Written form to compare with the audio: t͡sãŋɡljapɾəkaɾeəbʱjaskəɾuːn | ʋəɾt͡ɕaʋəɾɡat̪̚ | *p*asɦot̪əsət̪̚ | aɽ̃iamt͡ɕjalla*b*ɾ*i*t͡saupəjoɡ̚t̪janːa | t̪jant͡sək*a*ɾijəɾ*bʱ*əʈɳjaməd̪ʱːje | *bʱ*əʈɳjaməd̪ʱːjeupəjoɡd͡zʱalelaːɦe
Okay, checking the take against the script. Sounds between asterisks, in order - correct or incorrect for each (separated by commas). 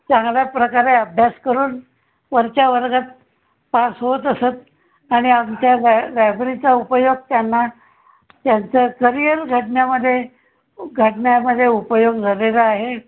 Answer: correct, correct, correct, incorrect, incorrect, incorrect